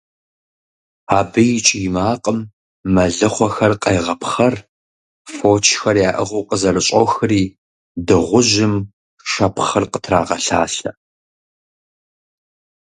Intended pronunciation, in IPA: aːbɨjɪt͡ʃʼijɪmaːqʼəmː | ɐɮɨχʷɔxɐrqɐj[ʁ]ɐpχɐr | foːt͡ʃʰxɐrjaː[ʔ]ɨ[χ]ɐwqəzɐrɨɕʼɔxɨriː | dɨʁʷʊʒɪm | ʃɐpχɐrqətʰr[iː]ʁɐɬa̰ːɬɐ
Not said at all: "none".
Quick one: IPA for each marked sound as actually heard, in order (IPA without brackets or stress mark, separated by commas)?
ʁ, ʔ, ʁ, aː